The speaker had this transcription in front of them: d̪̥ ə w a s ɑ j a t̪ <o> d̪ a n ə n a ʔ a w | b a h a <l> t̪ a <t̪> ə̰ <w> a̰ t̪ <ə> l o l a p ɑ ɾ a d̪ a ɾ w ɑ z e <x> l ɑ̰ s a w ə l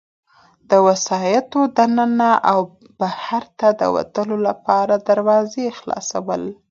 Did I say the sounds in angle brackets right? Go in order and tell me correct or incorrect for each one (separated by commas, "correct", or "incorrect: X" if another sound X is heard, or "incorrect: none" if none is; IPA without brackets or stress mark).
correct, incorrect: ɾ, incorrect: d̪, correct, correct, correct